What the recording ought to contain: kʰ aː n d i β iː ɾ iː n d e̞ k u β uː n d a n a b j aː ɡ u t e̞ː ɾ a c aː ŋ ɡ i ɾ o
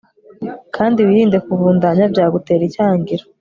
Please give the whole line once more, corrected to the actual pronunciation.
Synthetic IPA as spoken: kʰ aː n d i w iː ɾ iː n d e̞ k u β uː n d a ɲ a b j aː ɡ u t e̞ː ɾ i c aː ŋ ɡ i ɾ o